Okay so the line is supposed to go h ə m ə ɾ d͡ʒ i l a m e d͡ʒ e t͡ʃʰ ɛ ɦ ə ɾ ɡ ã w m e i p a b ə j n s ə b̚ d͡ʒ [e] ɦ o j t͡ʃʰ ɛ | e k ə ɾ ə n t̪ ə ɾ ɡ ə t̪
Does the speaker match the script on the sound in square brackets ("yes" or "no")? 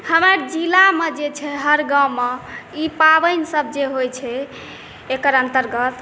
yes